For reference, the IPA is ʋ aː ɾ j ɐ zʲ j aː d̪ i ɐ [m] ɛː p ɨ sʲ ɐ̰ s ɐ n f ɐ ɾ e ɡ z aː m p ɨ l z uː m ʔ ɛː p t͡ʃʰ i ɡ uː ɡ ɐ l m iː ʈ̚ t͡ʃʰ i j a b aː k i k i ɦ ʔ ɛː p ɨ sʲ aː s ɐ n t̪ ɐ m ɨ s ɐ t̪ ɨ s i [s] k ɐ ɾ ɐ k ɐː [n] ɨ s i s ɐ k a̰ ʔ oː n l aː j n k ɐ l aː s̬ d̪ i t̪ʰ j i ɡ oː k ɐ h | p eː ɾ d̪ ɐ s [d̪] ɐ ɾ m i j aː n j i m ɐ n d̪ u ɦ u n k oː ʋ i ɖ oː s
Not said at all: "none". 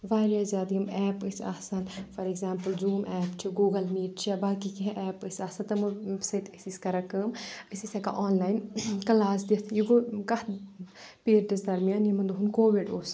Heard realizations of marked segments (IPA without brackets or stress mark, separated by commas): m, s, m, d̪